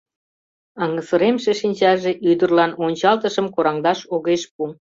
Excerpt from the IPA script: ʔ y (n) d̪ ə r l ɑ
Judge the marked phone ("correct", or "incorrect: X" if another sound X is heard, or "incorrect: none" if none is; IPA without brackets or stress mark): incorrect: none